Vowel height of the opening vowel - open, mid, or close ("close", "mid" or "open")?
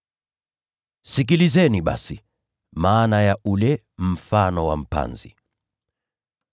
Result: close